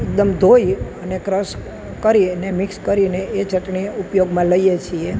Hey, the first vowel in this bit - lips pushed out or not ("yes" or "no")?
no